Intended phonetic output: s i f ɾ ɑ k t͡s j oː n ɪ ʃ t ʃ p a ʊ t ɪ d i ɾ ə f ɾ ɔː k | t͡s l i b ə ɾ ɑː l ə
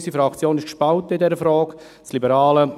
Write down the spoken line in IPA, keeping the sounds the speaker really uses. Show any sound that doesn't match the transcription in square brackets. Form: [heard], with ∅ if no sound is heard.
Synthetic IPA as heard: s i f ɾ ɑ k t͡s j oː n ɪ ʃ [k] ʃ p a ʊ t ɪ d [ɛ] ɾ ə f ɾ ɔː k | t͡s l i b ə ɾ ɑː l ə